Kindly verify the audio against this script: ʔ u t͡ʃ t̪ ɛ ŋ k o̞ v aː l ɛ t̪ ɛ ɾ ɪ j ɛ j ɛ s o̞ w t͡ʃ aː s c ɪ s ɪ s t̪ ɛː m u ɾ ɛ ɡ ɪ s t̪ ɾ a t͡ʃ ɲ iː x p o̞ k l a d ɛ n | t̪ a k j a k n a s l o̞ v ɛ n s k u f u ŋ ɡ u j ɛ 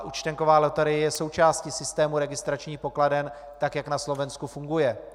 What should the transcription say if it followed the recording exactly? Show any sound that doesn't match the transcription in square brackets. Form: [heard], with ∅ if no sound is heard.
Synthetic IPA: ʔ u t͡ʃ t̪ ɛ ŋ k o̞ v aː l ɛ t̪ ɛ ɾ ɪ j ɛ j ɛ s o̞ w t͡ʃ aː s c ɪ s ɪ s t̪ ɛː m u ɾ ɛ ɡ ɪ s t̪ ɾ a t͡ʃ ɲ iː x p o̞ k l a d ɛ n | t̪ a k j a k n a s l o̞ v ɛ n s k u f u ŋ ɡ u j ɛ

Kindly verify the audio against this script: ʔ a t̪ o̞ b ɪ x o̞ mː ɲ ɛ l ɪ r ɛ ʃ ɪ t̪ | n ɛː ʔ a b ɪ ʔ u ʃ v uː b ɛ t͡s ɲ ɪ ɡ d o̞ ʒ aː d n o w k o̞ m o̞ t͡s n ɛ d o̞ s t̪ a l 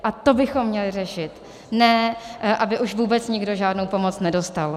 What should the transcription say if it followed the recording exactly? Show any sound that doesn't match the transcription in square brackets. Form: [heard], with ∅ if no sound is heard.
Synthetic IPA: ʔ a t̪ o̞ b ɪ x o̞ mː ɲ ɛ l ɪ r ɛ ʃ ɪ t̪ | n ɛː ʔ a b ɪ ʔ u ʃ v uː b ɛ t͡s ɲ ɪ ɡ d o̞ ʒ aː d n o w [p] o̞ m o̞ t͡s n ɛ d o̞ s t̪ a l

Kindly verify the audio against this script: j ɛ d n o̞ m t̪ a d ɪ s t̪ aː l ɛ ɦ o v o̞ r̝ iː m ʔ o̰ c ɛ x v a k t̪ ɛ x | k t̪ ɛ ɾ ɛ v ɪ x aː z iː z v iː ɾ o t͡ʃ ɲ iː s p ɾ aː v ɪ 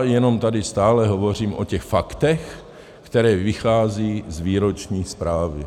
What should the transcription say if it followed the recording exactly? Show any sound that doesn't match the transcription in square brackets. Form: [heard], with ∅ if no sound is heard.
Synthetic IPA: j ɛ [∅] n o̞ m t̪ a d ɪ s t̪ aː l ɛ ɦ o v o̞ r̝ iː m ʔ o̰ c ɛ x [f] a k t̪ ɛ x | k t̪ ɛ ɾ [ɛː] v ɪ x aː z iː z v iː ɾ o t͡ʃ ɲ iː s p ɾ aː v ɪ

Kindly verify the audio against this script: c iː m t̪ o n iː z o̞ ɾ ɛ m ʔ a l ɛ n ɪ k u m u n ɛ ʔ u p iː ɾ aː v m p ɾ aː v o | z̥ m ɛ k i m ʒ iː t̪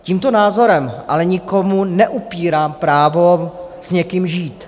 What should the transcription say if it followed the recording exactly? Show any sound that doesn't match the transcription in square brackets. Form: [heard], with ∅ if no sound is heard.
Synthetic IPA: c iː m t̪ o n [aː] z o̞ ɾ ɛ m ʔ a l ɛ [ɲ] ɪ k [o] m u n ɛ ʔ u p iː ɾ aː [∅] m p ɾ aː v o | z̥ [ɲ] ɛ k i m ʒ iː t̪

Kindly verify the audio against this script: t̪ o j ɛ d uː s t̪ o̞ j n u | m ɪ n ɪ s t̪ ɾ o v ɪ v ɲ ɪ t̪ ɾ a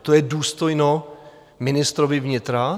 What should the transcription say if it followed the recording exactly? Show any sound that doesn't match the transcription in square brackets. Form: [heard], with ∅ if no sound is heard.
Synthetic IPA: t̪ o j ɛ d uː s t̪ o̞ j n [o] | m ɪ n ɪ s t̪ ɾ o v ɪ v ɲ ɪ t̪ ɾ a

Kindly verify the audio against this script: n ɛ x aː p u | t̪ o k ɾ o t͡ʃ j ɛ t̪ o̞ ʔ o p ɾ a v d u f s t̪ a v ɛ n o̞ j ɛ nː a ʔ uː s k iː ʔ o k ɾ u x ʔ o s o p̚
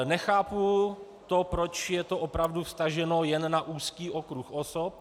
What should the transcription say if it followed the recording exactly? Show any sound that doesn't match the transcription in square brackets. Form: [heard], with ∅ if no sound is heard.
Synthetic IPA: n ɛ x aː p u | t̪ o [p] ɾ o t͡ʃ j ɛ t̪ o̞ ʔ o p ɾ a v d u f s t̪ a [ʒ] ɛ n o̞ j ɛ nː a ʔ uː s k iː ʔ o k ɾ u x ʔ o s o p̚

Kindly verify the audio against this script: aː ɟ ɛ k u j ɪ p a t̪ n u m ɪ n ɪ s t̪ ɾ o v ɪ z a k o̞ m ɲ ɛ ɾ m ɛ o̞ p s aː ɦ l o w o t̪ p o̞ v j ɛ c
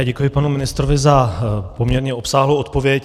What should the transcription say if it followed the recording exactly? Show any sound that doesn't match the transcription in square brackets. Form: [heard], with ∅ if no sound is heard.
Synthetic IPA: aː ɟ ɛ k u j ɪ p a [∅] n u m ɪ n ɪ s t̪ ɾ o v ɪ z a [p] o̞ m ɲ ɛ ɾ [ɲ] ɛ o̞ p s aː ɦ l o w o t̪ p o̞ v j ɛ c

